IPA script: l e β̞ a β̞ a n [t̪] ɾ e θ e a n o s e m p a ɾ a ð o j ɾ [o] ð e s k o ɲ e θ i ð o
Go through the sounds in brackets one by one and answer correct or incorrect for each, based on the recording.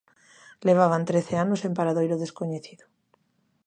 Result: correct, correct

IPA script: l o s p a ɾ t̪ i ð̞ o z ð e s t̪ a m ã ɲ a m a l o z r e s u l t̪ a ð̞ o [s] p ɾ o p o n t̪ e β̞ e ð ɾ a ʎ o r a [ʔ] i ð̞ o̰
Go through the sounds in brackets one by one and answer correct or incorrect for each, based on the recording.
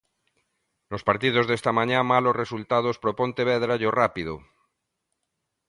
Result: correct, incorrect: p

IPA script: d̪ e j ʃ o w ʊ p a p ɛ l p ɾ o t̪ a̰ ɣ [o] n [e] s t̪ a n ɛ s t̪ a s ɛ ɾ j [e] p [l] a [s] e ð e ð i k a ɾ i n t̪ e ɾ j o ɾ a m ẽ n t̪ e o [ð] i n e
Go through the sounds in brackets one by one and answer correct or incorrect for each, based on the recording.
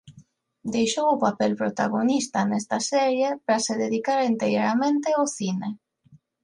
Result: correct, incorrect: i, correct, incorrect: ɾ, correct, incorrect: θ

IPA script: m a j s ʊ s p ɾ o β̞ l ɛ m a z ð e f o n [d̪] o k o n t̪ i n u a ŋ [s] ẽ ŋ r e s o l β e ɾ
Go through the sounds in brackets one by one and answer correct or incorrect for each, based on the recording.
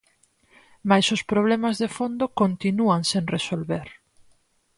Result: correct, correct

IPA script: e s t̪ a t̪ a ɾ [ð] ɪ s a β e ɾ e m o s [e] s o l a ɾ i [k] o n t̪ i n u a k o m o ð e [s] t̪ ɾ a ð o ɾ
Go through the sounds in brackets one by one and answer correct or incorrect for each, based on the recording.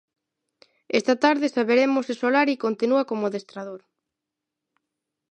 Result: correct, correct, correct, correct

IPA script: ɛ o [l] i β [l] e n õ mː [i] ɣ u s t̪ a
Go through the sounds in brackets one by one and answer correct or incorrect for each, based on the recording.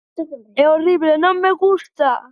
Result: incorrect: r, correct, incorrect: e

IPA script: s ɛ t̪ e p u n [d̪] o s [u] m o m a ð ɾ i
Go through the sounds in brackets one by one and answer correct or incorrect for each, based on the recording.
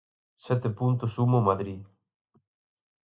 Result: incorrect: t̪, correct

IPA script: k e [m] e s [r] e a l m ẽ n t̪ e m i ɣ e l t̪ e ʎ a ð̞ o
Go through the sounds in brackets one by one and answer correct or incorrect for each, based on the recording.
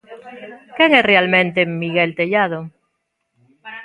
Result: incorrect: ŋ, correct

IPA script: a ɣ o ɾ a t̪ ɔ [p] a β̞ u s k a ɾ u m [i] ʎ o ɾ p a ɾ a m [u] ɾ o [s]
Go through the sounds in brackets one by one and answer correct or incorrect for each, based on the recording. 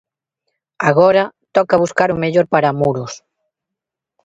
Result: incorrect: k, incorrect: e, correct, correct

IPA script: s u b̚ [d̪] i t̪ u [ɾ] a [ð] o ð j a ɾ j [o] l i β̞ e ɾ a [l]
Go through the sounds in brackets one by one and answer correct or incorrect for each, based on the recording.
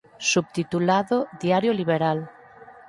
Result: incorrect: t̪, incorrect: l, correct, correct, correct

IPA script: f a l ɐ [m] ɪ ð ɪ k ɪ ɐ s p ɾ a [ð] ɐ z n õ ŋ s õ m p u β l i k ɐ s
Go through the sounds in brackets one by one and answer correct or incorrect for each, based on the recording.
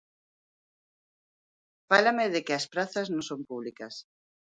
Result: correct, incorrect: θ

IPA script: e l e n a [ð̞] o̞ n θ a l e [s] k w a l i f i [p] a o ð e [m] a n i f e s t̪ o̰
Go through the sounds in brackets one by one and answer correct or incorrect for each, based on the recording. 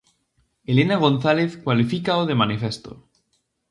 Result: incorrect: ɣ̞, incorrect: θ, incorrect: k, correct

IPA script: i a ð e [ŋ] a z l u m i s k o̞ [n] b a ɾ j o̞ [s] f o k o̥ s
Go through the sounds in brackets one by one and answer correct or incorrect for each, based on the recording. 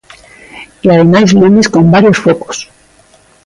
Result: incorrect: m, incorrect: m, correct

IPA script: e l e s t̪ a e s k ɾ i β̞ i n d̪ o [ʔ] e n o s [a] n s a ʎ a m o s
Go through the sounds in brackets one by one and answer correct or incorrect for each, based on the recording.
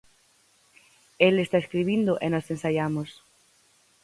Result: correct, incorrect: e

